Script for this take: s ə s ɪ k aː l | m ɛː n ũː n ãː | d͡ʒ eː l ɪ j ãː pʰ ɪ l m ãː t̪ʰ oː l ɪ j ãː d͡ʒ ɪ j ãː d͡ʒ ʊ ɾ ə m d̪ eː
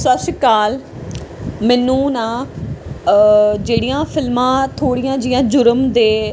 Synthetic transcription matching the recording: s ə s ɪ k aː l | m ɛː n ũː n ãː | d͡ʒ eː ɽ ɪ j ãː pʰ ɪ l m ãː t̪ʰ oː ɽ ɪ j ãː d͡ʒ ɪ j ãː d͡ʒ ʊ ɾ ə m d̪ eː

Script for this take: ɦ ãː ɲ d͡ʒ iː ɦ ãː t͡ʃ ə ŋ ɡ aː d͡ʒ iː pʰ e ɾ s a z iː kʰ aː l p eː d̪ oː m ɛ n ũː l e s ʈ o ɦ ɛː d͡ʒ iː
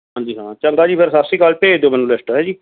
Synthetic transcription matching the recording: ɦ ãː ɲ d͡ʒ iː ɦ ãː t͡ʃ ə ŋ ɡ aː d͡ʒ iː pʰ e ɾ s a s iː k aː l p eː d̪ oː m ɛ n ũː l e s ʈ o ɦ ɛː d͡ʒ iː

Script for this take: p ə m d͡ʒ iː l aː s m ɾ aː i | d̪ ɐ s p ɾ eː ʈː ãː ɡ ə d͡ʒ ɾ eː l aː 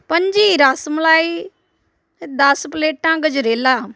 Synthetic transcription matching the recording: p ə ɲ d͡ʒ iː ɾ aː s m l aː i | d̪ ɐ s p l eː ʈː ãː ɡ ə d͡ʒ ɾ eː l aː

